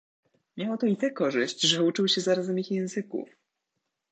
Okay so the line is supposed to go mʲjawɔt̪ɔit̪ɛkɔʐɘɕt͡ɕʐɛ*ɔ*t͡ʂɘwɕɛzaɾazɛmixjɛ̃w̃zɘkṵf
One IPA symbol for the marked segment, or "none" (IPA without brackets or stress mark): u